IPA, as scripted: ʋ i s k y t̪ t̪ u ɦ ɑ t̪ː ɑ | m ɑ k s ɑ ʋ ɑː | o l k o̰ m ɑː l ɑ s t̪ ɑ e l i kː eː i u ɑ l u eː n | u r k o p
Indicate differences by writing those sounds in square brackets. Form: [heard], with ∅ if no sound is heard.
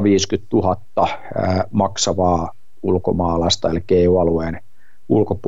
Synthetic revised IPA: ʋ [iː] s k y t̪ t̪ u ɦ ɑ t̪ː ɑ | m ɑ k s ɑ ʋ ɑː | [u] l k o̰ m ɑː l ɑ s t̪ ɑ e l i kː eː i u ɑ l u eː n | u [l] k o p